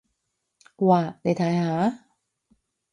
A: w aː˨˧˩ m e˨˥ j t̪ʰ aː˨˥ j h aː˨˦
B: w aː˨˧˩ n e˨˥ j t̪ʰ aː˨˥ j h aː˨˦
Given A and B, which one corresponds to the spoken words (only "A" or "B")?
B